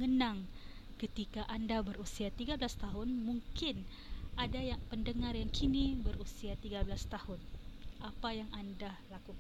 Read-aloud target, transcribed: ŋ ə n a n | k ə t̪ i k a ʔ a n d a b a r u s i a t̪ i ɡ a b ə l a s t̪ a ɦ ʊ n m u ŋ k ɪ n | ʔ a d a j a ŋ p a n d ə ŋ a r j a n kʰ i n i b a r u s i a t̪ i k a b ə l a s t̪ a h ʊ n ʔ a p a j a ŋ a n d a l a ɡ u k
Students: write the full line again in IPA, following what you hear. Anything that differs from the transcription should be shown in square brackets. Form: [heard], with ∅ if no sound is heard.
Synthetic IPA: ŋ ə n a [ŋ] | k ə t̪ i k a ʔ a n d a b [ə] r u s i a t̪ i ɡ a b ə l a s t̪ a ɦ ʊ n m u ŋ k ɪ n | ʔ a d a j a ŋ p [ə] n d ə ŋ a r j a [ŋ] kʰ i n i b [ə] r u s i a t̪ i [ɡ] a b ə l a s t̪ a h ʊ n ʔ a p a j a ŋ a n d a l a [k] u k